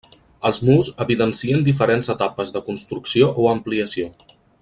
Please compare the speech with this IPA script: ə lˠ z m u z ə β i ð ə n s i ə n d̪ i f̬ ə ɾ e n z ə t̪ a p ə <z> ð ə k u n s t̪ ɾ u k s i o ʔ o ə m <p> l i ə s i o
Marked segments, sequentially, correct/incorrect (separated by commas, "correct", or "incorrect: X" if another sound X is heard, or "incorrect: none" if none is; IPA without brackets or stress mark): correct, correct